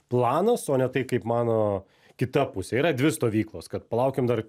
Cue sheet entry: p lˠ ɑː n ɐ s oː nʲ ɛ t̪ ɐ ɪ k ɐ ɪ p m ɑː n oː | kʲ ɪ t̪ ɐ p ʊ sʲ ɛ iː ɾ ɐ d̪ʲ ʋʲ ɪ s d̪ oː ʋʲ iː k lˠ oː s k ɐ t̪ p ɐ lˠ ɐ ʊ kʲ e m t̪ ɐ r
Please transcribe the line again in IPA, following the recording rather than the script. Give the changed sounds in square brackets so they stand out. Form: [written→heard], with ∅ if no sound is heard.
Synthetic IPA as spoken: p lˠ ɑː n ɐ s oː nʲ ɛ t̪ ɐ ɪ k ɐ ɪ p m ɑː n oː | kʲ ɪ t̪ ɐ p ʊ sʲ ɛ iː ɾ ɐ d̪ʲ ʋʲ ɪ s [d̪→t̪] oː ʋʲ iː k lˠ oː s k ɐ t̪ p ɐ lˠ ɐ ʊ kʲ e m [t̪→d̪] ɐ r